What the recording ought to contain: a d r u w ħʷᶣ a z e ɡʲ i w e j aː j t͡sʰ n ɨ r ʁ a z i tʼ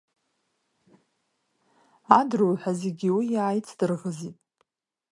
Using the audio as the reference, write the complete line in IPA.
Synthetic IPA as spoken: a d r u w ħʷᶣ a z e ɡʲ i w i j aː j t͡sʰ d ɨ r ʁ ə z i tʼ